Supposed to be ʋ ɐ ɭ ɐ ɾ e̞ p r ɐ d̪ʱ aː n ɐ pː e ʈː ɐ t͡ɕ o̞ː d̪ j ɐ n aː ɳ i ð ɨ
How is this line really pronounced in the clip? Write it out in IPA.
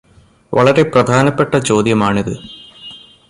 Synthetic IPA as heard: ʋ ɐ ɭ ɐ ɾ e̞ p r ɐ d̪ʱ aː n ɐ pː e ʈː ɐ t͡ɕ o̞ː d̪ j ɐ m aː ɳ i ð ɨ

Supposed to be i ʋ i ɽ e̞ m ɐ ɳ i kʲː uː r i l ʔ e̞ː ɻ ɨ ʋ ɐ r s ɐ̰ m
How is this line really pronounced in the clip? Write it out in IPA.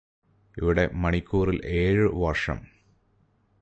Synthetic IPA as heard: i ʋ i ɽ e̞ m ɐ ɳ i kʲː uː r i l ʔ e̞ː ɻ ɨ ʋ ɐ r ʂ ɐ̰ m

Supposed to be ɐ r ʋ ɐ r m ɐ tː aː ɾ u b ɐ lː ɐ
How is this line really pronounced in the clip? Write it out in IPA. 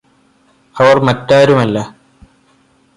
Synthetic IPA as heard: ɐ ʋ ɐ r m ɐ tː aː ɾ u m ɐ lː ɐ

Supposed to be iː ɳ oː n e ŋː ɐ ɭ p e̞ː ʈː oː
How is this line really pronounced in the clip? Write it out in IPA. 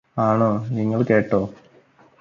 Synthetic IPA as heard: aː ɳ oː n i ŋː ɐ ɭ k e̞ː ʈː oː

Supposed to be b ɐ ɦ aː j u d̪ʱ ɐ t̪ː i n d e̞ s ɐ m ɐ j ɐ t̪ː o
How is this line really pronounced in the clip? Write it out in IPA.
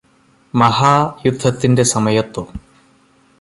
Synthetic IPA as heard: m ɐ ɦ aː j u d̪ʱː ɐ t̪ː i n d e̞ s ɐ m ɐ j ɐ t̪ː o

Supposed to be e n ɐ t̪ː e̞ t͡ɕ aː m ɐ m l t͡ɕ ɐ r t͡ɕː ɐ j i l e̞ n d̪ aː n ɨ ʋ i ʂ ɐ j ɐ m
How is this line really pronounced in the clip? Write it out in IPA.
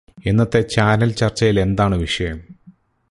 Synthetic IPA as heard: e nː ɐ t̪ː e̞ t͡ɕ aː n ɐ l t͡ɕ ɐ r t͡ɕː ɐ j i l e̞ n d̪ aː ɳ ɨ ʋ i ʂ ɐ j ɐ m

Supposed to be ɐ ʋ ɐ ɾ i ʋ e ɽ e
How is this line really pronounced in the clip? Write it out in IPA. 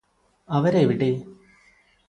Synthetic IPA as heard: ɐ ʋ ɐ ɾ e ʋ i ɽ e

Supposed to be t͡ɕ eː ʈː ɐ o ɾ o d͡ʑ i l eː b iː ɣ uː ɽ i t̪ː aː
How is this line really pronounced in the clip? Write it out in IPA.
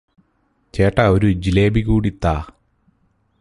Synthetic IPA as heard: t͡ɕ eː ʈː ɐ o ɾ u d͡ʑ i l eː b i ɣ uː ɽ i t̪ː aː

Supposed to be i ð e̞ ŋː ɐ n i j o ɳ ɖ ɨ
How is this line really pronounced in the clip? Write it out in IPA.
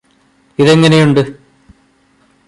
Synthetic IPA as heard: i ð e̞ ŋː ɐ n e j u ɳ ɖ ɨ

